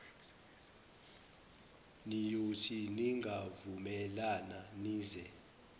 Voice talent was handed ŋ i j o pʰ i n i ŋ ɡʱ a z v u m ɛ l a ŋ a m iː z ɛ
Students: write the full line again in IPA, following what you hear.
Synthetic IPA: n i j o tʰ i n i ŋ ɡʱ a v u m ɛ l a n a n iː z ɛ